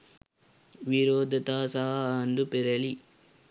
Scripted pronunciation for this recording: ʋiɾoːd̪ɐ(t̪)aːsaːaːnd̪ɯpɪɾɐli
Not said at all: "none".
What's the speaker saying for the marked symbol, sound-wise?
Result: t̪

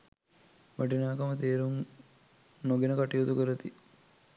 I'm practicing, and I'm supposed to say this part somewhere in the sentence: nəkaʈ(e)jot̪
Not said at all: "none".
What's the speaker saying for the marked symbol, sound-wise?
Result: i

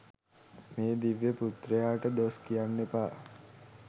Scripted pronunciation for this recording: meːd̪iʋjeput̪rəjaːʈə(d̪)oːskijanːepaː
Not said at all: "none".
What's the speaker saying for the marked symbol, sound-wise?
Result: d̪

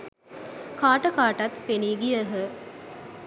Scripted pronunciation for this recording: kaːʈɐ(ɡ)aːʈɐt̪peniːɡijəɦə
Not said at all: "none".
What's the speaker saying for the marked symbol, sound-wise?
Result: k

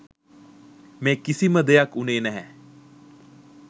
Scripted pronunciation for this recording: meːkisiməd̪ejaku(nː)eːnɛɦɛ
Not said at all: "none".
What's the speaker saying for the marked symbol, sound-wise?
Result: n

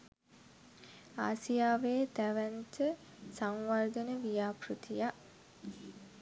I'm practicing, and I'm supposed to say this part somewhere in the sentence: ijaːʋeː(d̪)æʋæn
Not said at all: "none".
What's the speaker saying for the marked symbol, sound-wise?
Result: t̪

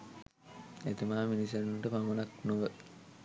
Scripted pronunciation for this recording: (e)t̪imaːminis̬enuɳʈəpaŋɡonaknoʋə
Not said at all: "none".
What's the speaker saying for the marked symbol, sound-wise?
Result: e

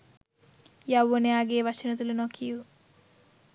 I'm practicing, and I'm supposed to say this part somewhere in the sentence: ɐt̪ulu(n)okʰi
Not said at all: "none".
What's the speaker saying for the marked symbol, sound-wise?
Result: n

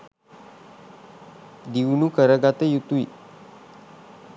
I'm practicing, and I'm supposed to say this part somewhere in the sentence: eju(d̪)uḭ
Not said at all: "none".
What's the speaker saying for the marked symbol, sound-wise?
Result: t̪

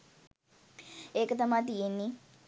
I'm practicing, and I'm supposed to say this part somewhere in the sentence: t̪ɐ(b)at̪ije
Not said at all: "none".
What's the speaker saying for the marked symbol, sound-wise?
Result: m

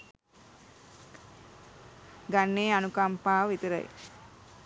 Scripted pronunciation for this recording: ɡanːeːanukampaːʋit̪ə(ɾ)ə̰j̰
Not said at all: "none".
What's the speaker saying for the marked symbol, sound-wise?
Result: ɾ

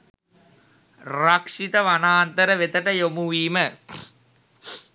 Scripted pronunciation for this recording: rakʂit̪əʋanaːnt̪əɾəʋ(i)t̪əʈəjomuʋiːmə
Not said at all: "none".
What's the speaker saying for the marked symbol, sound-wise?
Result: e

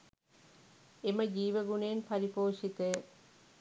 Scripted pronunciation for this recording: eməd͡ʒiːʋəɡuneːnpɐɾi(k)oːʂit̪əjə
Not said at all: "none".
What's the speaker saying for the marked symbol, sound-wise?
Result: p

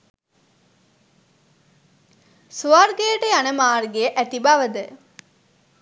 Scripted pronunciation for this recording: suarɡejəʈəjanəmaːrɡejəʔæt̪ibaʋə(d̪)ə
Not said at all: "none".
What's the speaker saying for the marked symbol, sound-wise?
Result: d̪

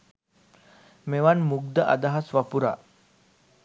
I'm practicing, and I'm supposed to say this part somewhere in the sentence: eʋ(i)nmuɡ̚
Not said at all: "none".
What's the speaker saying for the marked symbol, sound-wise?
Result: a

